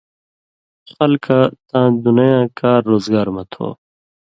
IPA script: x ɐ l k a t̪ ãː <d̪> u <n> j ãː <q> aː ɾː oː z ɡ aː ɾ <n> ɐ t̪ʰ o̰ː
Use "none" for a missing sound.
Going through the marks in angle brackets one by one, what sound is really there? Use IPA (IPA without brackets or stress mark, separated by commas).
d̪, n, k, m